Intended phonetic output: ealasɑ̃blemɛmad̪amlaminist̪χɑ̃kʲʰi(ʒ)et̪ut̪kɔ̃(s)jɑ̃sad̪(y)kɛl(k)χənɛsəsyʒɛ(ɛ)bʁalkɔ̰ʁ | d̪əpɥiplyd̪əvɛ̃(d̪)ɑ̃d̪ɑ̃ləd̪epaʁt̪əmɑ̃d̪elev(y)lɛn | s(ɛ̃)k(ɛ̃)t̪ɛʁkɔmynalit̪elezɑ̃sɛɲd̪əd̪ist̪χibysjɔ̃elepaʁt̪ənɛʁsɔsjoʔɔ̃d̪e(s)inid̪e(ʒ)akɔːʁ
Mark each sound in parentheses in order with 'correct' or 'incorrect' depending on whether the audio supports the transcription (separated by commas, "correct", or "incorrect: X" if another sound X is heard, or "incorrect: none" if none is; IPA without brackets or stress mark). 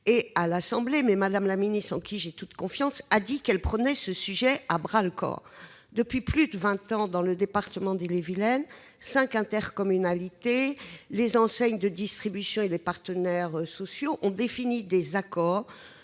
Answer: correct, incorrect: f, incorrect: i, incorrect: p, incorrect: a, incorrect: t̪, incorrect: i, correct, correct, incorrect: f, incorrect: z